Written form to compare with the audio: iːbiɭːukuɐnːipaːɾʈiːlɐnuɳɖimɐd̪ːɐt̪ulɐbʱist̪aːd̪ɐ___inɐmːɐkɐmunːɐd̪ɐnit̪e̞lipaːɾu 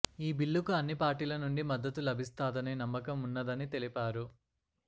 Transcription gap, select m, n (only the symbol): n